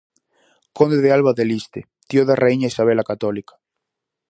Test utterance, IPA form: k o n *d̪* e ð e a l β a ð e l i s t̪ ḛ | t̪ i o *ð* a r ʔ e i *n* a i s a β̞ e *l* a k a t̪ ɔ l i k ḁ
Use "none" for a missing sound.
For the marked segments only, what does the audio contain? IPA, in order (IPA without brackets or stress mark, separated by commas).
d̪, ð, ɲ, l